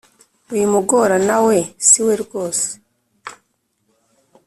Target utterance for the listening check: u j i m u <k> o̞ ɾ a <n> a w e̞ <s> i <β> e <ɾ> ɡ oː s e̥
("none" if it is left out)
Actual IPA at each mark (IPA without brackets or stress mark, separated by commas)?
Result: ɡ, n, s, w, ɾ